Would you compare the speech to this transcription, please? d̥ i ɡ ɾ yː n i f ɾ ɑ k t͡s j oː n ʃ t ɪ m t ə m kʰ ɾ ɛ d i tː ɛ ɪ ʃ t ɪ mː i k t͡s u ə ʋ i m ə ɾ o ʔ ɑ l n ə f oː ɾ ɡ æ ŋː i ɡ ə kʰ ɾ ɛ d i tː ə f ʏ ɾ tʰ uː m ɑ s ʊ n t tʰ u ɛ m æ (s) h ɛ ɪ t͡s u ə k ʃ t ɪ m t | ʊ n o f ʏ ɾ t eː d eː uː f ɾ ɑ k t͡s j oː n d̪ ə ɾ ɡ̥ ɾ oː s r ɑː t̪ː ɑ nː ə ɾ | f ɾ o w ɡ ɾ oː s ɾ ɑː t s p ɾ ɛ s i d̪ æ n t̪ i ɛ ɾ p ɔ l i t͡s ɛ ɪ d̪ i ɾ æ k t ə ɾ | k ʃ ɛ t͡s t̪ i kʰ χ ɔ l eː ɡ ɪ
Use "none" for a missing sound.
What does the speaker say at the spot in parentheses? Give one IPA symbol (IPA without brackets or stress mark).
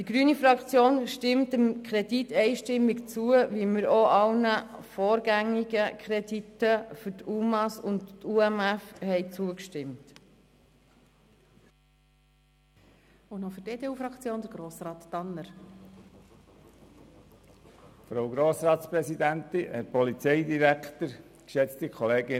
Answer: f